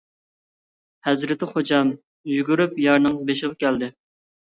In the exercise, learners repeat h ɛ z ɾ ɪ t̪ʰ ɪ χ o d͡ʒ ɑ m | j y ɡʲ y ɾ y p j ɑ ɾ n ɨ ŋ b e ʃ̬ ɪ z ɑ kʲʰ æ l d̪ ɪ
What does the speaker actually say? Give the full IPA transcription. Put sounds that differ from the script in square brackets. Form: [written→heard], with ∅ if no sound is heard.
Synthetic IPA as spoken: h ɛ z ɾ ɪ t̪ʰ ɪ χ o d͡ʒ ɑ m | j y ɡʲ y ɾ y p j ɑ ɾ n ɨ ŋ b e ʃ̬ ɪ [z→ʁ] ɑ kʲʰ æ l d̪ ɪ